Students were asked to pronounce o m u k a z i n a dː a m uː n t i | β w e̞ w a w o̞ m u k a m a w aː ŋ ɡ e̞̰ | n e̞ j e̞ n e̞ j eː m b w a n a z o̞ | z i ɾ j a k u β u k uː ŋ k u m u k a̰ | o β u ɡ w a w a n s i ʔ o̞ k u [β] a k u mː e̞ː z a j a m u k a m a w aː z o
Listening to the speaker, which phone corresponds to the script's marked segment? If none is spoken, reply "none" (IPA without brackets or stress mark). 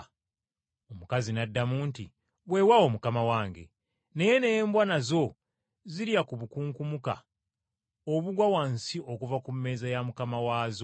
v